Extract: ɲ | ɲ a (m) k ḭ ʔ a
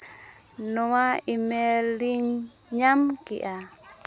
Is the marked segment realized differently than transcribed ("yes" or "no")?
no